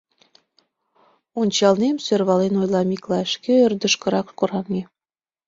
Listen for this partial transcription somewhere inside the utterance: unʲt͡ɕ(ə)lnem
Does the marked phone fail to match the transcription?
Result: yes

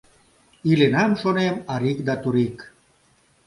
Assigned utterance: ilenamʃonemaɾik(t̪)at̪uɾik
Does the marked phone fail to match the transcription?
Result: yes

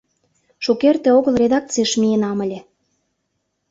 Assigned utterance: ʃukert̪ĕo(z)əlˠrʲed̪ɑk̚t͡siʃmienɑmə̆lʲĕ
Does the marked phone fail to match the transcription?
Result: yes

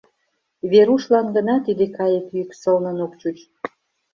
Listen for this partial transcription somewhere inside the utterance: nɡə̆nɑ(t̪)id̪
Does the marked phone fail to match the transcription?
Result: no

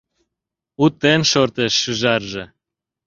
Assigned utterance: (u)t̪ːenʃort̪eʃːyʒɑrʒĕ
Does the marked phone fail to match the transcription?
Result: no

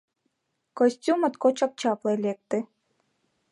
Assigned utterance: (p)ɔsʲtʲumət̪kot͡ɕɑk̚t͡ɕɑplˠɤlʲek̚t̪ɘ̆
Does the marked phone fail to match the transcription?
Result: yes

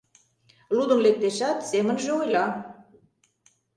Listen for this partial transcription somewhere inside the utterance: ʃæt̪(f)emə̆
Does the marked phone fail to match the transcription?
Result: yes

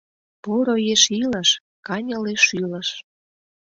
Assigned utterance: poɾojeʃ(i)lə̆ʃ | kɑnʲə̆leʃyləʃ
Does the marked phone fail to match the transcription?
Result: no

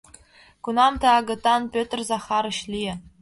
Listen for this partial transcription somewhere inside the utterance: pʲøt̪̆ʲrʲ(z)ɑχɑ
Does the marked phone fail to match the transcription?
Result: no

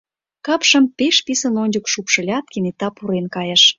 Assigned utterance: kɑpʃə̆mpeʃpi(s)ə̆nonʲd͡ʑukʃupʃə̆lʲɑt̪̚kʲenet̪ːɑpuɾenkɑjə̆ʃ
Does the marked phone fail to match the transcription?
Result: no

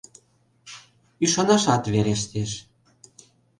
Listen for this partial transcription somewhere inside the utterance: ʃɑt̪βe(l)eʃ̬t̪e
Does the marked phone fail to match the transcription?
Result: yes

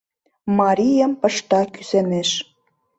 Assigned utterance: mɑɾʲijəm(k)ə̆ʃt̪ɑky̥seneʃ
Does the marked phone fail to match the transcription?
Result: yes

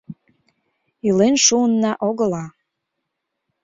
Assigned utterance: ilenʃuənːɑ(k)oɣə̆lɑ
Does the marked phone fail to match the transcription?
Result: yes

